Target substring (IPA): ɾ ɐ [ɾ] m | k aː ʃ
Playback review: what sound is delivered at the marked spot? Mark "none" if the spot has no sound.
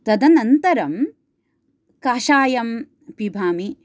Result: none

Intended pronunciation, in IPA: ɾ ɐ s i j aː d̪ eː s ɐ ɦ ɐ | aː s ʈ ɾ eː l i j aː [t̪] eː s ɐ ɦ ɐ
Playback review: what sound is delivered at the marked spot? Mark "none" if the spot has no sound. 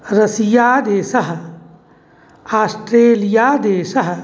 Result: d̪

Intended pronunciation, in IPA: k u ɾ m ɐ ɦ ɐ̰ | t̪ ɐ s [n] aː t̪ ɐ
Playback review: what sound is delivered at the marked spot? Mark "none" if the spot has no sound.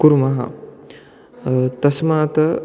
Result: m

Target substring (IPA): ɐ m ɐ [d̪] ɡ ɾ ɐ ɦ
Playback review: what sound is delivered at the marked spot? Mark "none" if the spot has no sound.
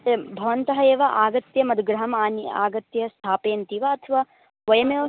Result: d̪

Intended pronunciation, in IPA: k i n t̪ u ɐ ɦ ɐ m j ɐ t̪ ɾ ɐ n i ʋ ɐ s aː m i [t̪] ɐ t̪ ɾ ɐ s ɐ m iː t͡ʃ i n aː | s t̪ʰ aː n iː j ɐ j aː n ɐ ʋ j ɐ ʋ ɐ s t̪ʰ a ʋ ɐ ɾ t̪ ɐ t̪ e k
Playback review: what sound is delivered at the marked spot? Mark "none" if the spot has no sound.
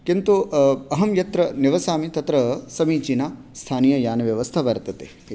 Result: t̪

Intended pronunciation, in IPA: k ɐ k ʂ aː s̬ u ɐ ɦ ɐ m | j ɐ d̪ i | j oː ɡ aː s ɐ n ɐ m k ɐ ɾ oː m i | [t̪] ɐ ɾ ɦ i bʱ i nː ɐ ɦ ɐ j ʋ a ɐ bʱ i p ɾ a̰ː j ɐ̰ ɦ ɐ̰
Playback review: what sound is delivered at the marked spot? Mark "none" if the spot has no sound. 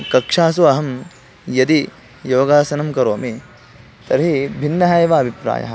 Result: t̪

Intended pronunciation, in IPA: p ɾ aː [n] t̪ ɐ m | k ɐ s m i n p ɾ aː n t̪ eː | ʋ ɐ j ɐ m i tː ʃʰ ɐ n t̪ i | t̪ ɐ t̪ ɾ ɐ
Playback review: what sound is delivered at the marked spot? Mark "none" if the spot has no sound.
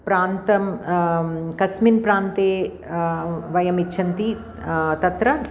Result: n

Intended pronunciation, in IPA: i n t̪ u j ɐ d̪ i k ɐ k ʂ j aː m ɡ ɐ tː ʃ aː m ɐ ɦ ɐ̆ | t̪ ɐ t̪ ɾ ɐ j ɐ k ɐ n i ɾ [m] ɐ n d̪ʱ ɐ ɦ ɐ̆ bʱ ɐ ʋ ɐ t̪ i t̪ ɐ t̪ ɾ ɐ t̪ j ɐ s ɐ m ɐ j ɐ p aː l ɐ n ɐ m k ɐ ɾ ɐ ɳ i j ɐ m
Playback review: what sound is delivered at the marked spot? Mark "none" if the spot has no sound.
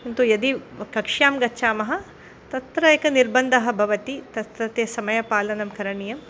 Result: b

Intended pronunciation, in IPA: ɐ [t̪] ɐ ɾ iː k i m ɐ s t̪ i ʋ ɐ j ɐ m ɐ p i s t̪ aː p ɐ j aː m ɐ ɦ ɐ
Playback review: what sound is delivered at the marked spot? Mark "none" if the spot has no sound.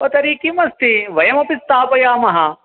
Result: t̪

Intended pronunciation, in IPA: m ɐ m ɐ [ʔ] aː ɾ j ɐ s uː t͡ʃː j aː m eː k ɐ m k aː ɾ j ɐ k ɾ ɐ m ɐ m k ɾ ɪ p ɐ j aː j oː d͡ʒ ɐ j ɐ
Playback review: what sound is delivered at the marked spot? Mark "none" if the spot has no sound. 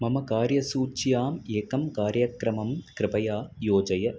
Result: k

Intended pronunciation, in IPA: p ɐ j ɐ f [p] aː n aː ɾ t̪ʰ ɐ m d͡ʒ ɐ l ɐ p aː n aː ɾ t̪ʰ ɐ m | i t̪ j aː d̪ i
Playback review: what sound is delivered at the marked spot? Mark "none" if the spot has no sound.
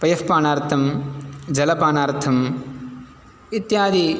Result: p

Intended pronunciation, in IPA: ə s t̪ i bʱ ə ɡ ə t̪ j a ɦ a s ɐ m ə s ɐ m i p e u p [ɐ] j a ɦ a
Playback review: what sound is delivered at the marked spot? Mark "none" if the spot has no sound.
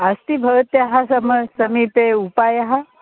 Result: a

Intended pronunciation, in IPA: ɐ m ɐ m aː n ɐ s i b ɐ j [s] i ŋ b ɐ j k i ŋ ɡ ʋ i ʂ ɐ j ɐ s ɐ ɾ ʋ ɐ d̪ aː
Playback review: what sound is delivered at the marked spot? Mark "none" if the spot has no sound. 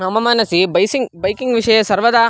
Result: s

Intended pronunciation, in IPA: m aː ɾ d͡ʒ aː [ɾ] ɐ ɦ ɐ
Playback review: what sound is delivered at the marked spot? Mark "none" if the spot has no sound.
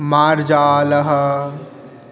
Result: l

